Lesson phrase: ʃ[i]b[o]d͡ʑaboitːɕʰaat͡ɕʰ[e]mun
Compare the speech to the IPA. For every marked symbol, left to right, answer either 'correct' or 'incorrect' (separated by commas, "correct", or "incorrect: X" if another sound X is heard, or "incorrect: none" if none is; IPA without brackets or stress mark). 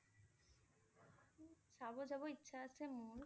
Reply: incorrect: a, correct, correct